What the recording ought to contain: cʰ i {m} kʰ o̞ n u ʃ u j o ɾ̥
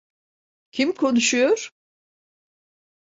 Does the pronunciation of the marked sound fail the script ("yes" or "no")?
no